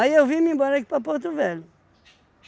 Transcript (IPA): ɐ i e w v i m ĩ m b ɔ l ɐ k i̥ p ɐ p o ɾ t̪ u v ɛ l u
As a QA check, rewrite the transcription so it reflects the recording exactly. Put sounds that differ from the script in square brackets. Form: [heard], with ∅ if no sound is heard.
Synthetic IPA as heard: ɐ i e w v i m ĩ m b ɔ [ɾ] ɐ k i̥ p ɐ p o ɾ t̪ u v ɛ l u